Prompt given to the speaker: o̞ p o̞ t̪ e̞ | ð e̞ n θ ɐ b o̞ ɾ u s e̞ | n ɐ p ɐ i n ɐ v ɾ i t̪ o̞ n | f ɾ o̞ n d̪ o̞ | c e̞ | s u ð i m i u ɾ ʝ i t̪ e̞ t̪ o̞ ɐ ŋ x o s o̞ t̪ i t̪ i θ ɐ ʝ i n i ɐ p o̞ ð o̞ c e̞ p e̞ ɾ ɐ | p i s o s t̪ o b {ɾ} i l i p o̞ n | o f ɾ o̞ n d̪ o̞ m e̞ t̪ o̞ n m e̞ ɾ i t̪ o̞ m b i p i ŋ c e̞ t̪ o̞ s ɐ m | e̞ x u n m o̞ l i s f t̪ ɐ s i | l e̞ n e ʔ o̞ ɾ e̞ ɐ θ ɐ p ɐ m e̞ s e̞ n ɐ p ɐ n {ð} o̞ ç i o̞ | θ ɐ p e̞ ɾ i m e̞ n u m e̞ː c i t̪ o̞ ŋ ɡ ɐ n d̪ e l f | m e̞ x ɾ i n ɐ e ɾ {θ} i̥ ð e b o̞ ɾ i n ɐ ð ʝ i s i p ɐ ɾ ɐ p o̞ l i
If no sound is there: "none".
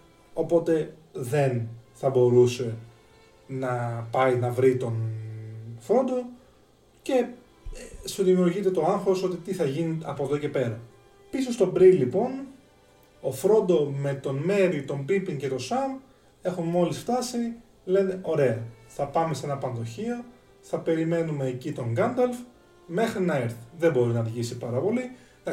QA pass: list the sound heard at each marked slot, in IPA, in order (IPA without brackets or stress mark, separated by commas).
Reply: ɾ, ð, θ